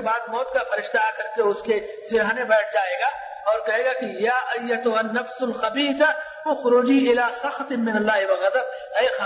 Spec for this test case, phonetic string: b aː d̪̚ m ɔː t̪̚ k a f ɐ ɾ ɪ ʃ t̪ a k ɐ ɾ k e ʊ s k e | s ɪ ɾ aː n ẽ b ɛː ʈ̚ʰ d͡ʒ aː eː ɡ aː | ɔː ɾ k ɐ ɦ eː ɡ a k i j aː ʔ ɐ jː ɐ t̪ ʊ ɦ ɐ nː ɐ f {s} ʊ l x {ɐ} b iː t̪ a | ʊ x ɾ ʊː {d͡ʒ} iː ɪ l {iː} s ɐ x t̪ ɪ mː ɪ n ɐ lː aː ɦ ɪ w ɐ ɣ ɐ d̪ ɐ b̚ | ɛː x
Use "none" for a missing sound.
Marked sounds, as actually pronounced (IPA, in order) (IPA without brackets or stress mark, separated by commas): s, ɐ, d͡ʒ, aː